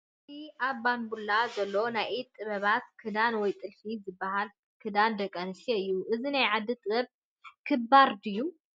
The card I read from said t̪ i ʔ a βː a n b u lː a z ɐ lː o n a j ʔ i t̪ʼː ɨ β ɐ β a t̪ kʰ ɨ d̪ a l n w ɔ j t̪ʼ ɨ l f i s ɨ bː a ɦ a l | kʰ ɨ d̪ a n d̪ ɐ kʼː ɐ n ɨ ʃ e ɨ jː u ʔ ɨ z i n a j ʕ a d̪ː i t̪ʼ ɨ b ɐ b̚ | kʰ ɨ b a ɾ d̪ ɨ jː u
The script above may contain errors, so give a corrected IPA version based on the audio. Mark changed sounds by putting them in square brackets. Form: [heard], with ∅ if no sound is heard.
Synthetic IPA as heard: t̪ i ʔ a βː a n b u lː a z ɐ lː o n a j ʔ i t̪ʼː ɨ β ɐ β a t̪ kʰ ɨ d̪ a [∅] n w ɔ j t̪ʼ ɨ l f i [z] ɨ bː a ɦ a l | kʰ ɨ d̪ a n d̪ ɐ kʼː ɐ n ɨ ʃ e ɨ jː u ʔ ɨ z i n a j ʕ a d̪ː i t̪ʼ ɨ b ɐ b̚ | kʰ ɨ b a ɾ d̪ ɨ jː u